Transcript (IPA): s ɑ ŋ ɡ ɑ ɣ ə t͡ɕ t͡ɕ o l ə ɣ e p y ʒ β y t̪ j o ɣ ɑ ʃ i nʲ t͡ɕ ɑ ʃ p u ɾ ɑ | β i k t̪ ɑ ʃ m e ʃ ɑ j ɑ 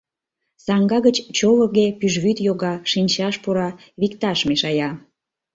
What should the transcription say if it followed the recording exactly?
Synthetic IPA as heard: s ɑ ŋ ɡ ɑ ɣ ə t͡ɕ t͡ɕ o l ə ɣ e p y ʒ β y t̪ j o ɣ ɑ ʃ i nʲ t͡ɕ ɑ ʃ p u ɾ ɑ | β i k t̪ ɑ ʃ m e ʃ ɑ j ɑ

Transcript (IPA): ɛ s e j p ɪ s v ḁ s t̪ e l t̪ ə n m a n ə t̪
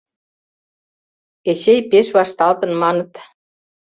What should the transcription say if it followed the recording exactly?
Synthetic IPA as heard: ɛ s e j p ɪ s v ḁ s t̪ a l t̪ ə n m a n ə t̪

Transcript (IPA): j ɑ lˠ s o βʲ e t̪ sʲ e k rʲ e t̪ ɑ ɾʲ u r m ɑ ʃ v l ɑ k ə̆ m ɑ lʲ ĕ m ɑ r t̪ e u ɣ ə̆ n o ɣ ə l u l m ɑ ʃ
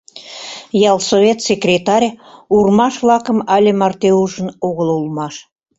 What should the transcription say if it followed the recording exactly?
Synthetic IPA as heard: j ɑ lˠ s o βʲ e t̪ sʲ e k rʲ e t̪ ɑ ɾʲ u r m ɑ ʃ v l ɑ k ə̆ m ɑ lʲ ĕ m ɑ r t̪ e u ʒ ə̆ n o ɣ ə l u l m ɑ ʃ

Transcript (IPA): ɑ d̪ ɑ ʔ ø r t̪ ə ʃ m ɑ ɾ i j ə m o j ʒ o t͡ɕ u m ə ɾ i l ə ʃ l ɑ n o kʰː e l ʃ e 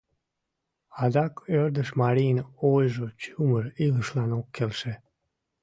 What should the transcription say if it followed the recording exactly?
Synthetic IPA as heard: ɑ d̪ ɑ k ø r d̪ ə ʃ m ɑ ɾ i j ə n o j ʒ o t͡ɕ u m ə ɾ i l ə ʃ l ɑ n o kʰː e l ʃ e

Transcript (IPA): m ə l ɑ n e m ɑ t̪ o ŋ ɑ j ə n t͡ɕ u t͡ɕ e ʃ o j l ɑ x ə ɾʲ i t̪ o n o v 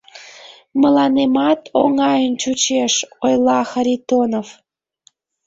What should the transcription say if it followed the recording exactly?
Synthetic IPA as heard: m ə l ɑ n e m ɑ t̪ o ŋ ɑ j ə n t͡ɕ u t͡ɕ e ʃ o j l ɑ x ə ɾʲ i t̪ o n o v

